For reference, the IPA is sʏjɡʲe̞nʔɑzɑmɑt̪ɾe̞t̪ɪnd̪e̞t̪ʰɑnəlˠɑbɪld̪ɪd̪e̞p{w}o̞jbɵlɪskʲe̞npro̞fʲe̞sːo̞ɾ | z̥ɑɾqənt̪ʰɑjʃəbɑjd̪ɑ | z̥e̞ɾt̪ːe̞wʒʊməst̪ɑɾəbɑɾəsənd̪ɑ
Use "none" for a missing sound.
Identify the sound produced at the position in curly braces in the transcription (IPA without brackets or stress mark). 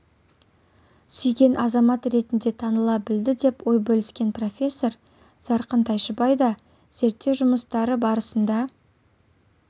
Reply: w